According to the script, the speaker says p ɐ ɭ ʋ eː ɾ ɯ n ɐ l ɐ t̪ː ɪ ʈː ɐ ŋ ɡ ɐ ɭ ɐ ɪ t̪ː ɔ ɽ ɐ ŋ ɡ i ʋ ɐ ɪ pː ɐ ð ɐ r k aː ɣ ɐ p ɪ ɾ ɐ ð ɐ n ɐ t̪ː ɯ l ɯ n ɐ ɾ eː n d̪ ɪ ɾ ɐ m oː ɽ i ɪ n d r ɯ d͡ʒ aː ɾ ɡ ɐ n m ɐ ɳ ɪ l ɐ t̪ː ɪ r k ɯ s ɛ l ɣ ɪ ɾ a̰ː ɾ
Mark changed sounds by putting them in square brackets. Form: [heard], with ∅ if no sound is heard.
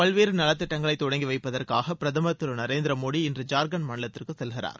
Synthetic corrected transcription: p ɐ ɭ ʋ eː ɾ ɯ n ɐ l ɐ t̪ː ɪ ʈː ɐ ŋ ɡ ɐ ɭ ɐ ɪ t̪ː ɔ ɽ ɐ ŋ ɡ i ʋ ɐ ɪ pː ɐ ð ɐ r k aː ɣ ɐ p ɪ ɾ ɐ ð ɐ [m] ɐ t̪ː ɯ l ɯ n ɐ ɾ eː n d̪ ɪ ɾ ɐ m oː ɽ i ɪ n d r ɯ d͡ʒ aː ɾ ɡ ɐ n m ɐ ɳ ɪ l ɐ t̪ː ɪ r k ɯ s ɛ l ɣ ɪ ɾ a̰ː ɾ